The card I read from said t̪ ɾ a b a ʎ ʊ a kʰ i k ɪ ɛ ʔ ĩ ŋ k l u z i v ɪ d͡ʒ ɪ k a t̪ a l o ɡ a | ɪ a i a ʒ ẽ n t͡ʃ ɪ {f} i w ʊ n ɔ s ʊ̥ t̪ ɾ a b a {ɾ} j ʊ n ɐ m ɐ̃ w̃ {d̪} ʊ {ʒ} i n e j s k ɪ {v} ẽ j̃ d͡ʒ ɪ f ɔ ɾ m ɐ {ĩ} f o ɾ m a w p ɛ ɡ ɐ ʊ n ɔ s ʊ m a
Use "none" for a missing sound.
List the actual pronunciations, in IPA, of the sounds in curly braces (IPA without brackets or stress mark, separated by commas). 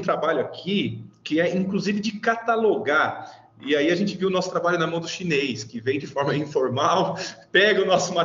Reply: v, ʎ, d̪, ʃ, v, ĩ